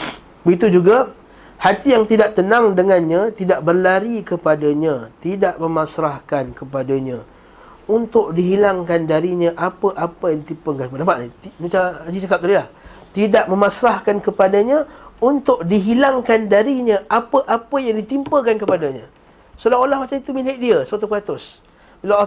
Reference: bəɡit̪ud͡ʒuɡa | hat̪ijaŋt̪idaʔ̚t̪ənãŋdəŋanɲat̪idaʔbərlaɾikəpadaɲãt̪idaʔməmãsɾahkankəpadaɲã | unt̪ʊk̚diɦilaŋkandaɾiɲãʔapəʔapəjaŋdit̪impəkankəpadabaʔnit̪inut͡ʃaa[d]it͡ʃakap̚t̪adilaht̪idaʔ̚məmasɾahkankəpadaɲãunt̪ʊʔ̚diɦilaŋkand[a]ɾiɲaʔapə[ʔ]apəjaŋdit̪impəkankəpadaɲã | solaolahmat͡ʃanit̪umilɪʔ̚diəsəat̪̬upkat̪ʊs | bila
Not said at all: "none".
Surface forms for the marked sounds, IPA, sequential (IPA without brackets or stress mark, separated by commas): d͡ʒ, a, ʔ